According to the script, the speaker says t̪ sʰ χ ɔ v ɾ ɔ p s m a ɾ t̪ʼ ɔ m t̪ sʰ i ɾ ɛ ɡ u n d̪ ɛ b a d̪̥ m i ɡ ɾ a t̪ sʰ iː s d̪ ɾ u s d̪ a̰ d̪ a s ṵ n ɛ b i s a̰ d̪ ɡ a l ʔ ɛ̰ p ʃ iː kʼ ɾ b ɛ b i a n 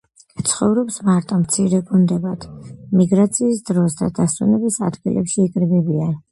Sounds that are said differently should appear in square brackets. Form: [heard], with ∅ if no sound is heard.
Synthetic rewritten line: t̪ sʰ χ ɔ v ɾ ɔ p s m a ɾ t̪ʼ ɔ m t̪ sʰ i ɾ ɛ ɡ u n d̪ ɛ b a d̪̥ m i ɡ ɾ a t̪ sʰ iː s d̪ ɾ [ɔ] s d̪ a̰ d̪ a s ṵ n ɛ b i s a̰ d̪ ɡ [i] l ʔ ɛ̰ p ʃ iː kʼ ɾ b ɛ b i a n